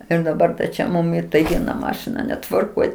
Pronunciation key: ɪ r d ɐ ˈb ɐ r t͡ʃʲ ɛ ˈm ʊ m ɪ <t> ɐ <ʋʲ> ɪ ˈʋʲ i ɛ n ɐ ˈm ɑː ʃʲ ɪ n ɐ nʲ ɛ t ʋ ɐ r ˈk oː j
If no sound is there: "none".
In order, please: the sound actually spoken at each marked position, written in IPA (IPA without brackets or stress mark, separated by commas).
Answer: t, none